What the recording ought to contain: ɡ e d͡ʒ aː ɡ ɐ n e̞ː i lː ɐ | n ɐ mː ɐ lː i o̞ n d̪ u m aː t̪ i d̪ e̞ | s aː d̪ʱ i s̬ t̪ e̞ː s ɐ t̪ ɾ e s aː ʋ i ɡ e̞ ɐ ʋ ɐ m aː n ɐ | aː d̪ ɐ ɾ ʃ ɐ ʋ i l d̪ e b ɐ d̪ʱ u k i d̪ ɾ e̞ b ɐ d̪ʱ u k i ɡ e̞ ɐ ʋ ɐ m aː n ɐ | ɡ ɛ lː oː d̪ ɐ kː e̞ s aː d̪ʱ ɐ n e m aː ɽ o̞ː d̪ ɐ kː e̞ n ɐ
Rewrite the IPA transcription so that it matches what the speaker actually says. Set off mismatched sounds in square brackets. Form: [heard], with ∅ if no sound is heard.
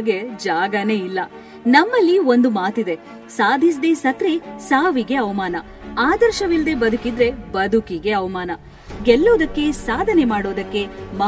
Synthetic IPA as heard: ɡ e d͡ʒ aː ɡ ɐ n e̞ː i lː ɐ | n ɐ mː ɐ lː i o̞ n d̪ u m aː t̪ i d̪ e̞ | s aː d̪ʱ i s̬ [d̪] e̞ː s ɐ t̪ ɾ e s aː ʋ i ɡ e̞ ɐ ʋ ɐ m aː n ɐ | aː d̪ ɐ ɾ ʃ ɐ ʋ i l d̪ e b ɐ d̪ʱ u k i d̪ ɾ e̞ b ɐ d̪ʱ u k i ɡ e̞ ɐ ʋ ɐ m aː n ɐ | ɡ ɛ lː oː d̪ ɐ kː e̞ s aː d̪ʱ ɐ n e m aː ɽ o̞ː d̪ ɐ kː e̞ [m] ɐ